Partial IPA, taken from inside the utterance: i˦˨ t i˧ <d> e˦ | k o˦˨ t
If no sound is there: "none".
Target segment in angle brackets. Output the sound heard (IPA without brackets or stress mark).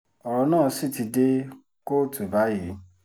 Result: d